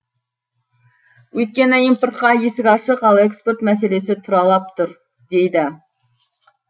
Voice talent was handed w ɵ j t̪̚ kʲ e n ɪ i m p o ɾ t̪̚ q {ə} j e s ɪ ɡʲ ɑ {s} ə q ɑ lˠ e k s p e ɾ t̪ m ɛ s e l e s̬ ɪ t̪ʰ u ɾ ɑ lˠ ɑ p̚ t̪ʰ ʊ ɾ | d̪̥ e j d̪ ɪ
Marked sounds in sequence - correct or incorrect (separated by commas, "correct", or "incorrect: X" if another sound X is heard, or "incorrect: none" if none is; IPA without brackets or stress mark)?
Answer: incorrect: ɑ, incorrect: ʃ